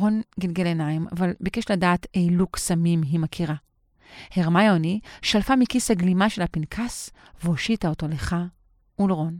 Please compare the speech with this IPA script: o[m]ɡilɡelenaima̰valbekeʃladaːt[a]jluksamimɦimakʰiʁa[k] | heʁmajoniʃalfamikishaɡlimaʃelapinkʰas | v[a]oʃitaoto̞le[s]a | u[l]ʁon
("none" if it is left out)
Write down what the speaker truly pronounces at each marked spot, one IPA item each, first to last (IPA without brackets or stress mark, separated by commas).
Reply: n, e, none, e, χ, l